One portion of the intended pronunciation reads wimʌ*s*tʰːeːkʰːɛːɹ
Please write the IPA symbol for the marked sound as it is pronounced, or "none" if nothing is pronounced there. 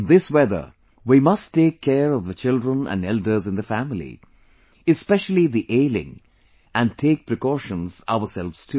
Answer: s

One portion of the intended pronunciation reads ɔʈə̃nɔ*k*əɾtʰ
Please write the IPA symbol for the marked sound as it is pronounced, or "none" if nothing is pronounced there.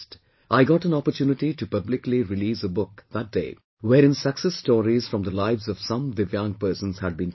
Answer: p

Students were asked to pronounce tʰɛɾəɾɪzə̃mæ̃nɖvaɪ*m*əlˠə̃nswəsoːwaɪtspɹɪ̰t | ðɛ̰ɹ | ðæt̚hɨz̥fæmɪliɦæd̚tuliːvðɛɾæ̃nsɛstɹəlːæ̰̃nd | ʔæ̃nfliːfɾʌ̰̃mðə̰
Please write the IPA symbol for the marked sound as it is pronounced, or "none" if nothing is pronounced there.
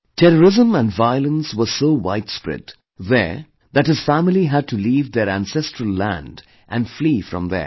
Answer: none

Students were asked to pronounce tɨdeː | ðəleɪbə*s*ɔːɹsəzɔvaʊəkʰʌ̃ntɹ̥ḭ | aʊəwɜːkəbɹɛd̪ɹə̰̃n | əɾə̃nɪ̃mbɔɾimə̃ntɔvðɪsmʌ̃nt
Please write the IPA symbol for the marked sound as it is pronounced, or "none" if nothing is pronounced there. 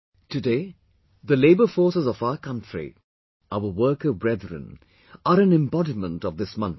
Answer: f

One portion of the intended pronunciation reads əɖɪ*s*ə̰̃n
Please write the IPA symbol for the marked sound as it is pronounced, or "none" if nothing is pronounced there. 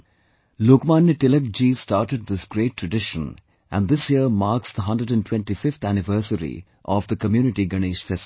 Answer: ʃ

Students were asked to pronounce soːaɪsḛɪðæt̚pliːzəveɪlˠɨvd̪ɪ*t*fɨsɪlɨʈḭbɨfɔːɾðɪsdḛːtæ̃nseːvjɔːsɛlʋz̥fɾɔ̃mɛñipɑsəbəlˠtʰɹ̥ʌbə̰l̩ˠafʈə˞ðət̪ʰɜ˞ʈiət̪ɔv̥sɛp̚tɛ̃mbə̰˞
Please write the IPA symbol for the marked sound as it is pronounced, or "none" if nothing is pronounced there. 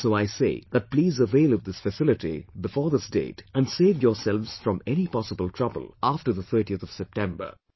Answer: s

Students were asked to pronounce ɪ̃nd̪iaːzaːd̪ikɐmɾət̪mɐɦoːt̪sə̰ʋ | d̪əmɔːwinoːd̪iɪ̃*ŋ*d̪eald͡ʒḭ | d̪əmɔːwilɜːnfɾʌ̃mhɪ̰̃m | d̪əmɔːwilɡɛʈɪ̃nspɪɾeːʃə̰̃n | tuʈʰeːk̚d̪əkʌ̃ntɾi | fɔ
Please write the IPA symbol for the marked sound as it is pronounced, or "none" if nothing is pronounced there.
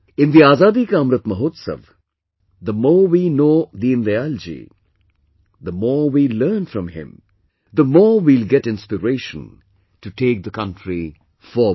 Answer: n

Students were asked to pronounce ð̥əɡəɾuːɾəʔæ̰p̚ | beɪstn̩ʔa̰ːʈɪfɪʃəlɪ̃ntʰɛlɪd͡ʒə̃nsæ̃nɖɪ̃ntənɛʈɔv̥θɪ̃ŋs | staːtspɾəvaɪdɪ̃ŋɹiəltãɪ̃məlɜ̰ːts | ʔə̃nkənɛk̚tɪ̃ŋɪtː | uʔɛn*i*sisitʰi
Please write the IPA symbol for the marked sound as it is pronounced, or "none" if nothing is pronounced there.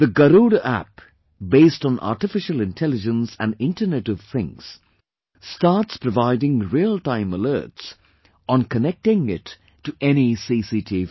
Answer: i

